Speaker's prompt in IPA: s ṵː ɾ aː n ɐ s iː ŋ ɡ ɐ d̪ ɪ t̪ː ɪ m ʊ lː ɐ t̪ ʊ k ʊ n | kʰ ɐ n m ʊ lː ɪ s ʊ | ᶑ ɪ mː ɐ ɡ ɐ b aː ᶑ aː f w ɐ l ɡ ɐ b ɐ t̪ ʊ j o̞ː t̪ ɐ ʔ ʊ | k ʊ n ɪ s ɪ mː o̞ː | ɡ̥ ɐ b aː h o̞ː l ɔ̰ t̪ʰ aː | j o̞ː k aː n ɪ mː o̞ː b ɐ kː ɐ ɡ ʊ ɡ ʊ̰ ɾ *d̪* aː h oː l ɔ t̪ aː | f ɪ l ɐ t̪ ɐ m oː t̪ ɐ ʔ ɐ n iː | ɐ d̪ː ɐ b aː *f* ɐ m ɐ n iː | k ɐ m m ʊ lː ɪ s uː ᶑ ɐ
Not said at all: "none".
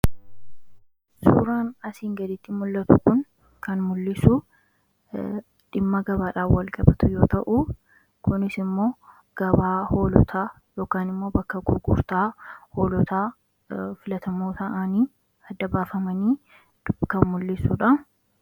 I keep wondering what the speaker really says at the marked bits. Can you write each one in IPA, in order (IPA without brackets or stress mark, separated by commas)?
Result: t̪, f